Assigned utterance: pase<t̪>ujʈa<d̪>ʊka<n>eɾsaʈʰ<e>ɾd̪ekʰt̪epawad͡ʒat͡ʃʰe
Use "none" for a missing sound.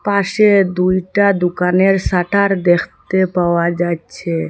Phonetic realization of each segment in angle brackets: d̪, d̪, n, a

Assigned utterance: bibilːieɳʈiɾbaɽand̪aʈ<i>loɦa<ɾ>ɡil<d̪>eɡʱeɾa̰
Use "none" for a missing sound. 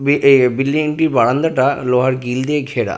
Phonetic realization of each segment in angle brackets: a, ɾ, d̪

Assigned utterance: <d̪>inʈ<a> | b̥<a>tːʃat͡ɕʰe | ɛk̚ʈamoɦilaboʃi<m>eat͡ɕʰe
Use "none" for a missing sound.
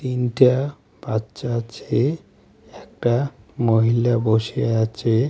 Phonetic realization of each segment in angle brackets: t̪, a, a, none

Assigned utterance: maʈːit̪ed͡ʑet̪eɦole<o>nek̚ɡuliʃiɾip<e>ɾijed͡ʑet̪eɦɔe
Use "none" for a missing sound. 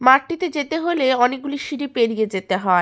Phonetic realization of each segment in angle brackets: ɔ, e

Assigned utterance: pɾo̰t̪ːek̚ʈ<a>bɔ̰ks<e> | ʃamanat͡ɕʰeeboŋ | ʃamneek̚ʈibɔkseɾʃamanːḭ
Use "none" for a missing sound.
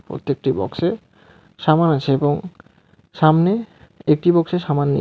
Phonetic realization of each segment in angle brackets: i, e

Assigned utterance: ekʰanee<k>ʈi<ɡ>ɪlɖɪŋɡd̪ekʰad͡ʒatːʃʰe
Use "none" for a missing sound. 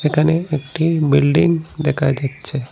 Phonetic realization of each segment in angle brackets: k, b

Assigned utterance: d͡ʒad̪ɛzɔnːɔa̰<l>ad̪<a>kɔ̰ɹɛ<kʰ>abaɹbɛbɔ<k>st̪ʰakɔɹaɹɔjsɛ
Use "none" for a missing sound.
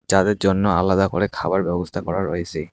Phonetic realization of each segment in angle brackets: l, a, kʰ, none

